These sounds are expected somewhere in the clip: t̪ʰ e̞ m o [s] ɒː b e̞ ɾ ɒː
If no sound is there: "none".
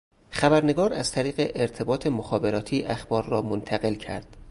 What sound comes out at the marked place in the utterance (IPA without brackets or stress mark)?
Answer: x